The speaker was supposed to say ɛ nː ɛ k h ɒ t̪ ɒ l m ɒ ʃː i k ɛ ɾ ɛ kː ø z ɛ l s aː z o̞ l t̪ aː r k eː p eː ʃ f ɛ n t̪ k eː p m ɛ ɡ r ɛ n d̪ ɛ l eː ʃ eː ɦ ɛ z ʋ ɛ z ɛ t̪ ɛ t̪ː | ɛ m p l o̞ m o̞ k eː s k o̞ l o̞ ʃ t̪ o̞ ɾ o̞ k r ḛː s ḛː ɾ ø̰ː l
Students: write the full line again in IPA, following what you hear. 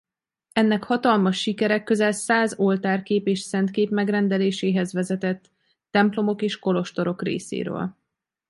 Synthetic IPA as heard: ɛ nː ɛ k h ɒ t̪ ɒ l m ɒ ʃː i k ɛ ɾ ɛ kː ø z ɛ l s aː z o̞ l t̪ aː r k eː p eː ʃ s ɛ n t̪ k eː p m ɛ ɡ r ɛ n d̪ ɛ l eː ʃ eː ɦ ɛ z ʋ ɛ z ɛ t̪ ɛ t̪ː | ɛ m p l o̞ m o̞ k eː ʃ k o̞ l o̞ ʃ t̪ o̞ ɾ o̞ k r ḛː s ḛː ɾ ø̰ː l